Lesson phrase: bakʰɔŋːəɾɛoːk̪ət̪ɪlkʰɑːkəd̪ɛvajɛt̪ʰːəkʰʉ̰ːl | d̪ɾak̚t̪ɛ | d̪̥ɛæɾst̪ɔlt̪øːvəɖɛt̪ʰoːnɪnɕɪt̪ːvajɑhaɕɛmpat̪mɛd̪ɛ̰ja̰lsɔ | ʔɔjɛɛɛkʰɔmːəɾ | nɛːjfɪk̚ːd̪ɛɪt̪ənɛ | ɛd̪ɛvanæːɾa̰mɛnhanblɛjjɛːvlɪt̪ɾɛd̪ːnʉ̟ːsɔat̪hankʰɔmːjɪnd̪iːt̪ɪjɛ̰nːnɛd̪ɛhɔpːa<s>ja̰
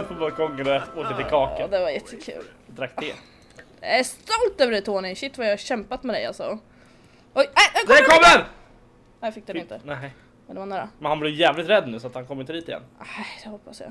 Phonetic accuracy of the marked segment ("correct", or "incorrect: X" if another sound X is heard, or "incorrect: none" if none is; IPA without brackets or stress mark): correct